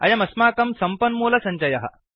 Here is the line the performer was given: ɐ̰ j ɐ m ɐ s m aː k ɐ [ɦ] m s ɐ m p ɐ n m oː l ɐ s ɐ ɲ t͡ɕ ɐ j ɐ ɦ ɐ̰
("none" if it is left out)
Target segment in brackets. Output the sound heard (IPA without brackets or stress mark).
none